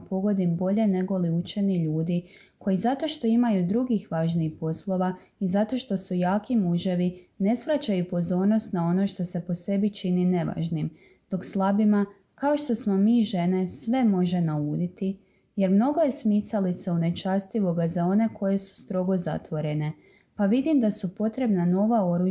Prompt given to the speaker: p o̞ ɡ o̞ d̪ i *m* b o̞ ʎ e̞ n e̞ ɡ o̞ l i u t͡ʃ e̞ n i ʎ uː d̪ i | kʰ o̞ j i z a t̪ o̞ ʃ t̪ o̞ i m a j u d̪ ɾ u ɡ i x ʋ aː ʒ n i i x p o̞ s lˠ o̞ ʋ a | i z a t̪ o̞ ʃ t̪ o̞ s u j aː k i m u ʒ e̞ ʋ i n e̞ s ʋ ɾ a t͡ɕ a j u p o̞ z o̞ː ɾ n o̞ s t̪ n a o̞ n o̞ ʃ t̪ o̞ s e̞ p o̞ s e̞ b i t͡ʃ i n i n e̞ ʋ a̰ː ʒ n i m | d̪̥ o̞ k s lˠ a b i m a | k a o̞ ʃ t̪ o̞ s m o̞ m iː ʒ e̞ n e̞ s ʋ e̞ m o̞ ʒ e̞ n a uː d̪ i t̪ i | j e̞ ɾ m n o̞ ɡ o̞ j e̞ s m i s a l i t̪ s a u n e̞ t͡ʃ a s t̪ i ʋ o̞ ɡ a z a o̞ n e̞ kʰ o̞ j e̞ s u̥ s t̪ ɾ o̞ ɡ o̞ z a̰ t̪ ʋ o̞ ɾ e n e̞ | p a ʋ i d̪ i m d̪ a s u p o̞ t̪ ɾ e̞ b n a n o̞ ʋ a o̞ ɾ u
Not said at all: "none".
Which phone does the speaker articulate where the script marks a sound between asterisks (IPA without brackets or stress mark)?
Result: m